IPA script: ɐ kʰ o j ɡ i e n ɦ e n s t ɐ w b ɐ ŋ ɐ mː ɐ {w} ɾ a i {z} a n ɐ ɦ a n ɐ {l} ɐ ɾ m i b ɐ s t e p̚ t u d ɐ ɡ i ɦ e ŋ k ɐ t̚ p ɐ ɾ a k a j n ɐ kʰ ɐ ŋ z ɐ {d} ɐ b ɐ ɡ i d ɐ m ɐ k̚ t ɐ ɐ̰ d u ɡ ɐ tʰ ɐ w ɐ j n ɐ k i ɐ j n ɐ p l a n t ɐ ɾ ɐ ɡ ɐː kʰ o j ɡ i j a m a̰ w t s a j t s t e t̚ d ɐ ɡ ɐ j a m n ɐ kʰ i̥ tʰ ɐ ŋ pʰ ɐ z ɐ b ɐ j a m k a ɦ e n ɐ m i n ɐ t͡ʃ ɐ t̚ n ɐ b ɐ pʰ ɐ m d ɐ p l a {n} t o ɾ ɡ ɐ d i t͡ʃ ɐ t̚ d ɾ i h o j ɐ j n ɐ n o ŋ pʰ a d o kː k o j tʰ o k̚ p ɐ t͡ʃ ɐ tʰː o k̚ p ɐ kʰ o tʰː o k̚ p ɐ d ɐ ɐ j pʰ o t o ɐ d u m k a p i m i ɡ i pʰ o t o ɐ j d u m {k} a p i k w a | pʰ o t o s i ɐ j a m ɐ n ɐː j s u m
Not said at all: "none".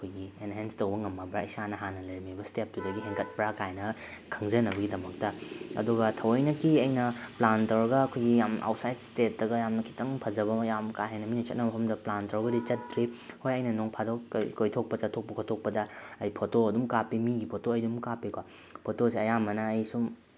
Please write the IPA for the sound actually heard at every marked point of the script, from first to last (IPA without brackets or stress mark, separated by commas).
b, s, l, n, n, k